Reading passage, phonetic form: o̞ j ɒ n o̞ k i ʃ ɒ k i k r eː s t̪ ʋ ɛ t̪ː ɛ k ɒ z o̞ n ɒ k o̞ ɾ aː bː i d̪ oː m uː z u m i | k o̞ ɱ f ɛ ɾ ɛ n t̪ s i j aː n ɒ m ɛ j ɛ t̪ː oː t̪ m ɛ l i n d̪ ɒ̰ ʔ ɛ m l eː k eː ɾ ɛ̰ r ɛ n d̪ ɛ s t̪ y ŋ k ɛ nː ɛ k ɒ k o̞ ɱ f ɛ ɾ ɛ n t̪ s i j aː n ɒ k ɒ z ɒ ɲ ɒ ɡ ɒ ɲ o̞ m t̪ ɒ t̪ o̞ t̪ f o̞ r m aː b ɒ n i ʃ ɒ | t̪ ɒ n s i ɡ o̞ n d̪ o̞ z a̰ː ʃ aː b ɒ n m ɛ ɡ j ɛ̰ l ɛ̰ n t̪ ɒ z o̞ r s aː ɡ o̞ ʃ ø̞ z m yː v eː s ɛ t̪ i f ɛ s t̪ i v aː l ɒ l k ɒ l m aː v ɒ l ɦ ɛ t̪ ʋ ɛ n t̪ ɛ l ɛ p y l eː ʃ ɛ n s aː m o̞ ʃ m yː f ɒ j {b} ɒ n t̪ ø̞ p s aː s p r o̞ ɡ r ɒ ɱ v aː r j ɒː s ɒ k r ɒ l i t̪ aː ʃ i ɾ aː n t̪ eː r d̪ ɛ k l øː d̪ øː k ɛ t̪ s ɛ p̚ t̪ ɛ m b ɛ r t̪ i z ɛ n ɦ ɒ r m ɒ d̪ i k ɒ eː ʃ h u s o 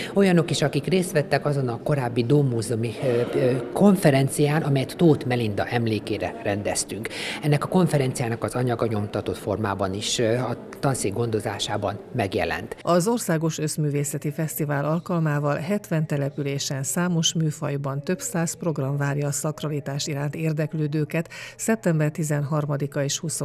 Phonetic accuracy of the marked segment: correct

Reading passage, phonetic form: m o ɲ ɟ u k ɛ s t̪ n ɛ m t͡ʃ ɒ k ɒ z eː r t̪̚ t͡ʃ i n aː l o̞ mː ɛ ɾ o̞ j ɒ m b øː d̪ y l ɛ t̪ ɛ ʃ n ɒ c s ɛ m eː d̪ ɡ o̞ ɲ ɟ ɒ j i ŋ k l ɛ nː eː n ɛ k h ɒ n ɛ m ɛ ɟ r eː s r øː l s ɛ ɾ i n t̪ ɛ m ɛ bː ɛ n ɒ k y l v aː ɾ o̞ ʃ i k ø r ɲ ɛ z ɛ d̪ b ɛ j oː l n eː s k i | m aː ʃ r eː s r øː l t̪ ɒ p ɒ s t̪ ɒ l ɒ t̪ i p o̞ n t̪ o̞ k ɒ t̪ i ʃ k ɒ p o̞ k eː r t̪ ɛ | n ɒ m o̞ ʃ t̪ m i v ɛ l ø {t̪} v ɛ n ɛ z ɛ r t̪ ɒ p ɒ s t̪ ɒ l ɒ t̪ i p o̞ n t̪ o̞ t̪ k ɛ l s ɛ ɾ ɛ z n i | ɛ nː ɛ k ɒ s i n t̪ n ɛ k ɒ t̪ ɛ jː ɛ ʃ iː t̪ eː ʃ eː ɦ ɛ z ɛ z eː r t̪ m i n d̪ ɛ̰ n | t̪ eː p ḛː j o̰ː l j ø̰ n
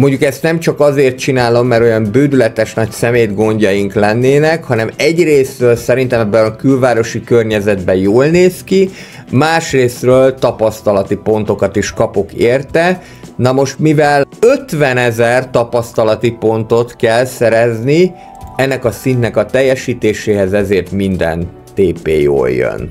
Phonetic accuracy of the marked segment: correct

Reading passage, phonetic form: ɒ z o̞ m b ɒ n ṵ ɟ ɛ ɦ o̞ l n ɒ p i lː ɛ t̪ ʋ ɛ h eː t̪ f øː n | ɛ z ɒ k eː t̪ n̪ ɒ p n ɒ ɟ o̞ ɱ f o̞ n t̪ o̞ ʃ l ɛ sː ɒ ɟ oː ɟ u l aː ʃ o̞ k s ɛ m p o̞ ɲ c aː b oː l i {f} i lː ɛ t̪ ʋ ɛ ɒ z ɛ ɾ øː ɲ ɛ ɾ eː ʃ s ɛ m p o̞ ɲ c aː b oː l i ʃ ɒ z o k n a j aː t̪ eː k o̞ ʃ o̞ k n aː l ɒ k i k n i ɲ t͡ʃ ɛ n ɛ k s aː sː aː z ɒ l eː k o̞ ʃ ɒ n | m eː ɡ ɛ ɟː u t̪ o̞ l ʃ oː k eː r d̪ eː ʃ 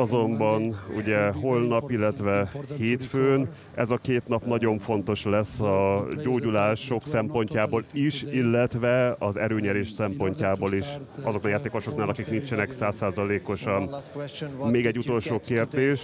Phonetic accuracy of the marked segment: incorrect: ʃ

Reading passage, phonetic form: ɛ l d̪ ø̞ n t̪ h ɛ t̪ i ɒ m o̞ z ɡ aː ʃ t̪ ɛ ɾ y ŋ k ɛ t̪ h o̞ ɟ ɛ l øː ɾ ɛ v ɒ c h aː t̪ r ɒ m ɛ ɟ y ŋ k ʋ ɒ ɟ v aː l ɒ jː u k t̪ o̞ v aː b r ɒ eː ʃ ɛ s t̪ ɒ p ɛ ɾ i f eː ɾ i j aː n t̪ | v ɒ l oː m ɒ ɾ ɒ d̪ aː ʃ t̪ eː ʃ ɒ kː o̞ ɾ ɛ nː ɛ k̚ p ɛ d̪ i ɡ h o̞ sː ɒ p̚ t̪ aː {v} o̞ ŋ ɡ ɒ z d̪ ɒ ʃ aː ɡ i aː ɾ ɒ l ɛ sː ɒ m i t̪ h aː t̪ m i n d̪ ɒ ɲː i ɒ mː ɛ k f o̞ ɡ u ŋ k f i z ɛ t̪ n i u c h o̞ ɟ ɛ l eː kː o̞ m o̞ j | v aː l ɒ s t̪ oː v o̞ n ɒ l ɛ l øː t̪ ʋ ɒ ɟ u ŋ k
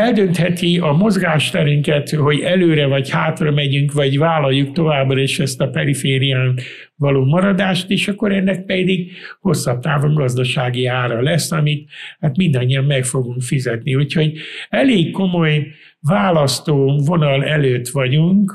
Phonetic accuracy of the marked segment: correct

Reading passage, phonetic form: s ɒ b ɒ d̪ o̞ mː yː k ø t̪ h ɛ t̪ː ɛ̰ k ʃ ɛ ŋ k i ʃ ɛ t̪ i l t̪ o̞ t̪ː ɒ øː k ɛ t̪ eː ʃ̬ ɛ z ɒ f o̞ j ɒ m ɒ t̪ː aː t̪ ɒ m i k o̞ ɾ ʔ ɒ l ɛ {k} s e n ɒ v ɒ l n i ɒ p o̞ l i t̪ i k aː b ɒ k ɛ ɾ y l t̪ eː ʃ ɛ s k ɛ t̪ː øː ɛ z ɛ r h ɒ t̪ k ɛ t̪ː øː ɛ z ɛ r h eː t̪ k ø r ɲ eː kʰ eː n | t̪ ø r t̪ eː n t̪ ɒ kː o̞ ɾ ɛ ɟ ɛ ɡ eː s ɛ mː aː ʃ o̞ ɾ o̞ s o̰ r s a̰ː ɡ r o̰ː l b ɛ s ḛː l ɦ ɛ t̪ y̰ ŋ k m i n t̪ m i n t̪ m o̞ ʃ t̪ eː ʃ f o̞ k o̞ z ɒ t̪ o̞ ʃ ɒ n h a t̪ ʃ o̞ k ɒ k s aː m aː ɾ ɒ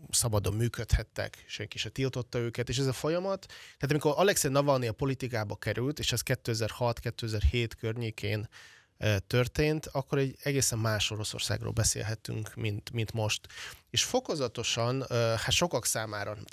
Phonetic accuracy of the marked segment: correct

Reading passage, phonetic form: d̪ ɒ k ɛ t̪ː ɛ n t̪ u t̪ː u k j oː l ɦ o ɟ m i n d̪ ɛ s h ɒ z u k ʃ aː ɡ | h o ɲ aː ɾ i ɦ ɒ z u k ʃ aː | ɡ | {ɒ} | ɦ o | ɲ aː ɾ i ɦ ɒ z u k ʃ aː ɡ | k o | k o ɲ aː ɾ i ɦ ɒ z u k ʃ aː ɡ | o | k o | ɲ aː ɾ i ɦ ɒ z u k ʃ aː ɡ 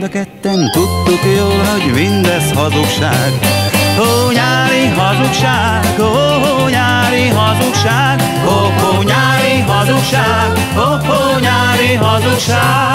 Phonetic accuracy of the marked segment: incorrect: o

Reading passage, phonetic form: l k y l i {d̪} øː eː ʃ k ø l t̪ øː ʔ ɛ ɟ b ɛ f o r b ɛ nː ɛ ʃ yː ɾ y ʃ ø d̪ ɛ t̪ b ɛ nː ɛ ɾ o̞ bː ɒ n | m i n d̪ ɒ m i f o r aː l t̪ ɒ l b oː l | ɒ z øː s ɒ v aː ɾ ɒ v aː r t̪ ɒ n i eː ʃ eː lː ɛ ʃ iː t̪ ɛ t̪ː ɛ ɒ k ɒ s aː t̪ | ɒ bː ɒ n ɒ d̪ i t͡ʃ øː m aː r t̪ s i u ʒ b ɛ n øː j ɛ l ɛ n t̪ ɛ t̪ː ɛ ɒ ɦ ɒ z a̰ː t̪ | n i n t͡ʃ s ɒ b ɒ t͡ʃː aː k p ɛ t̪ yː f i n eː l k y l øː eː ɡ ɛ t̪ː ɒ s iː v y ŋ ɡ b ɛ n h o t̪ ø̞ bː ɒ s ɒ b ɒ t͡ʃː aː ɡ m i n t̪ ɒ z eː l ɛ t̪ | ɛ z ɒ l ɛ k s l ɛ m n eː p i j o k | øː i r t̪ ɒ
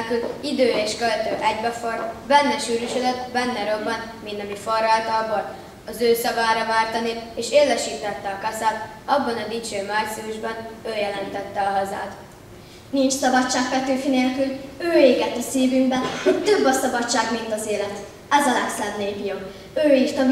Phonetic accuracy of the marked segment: correct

